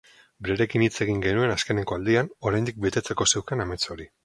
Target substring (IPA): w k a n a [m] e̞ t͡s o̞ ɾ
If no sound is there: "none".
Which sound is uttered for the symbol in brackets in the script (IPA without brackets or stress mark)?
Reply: m